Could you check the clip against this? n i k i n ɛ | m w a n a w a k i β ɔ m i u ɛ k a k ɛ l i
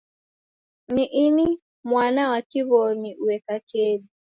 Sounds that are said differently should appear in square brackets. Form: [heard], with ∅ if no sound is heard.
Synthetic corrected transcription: n i [ʔ] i n [i] | m w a n a w a k i β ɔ [n] i u ɛ k a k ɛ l i